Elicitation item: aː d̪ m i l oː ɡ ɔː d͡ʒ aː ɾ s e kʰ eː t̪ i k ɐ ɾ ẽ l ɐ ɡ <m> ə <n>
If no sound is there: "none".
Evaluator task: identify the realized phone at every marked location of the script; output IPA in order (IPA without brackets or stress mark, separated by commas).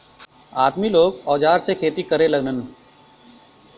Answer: n, n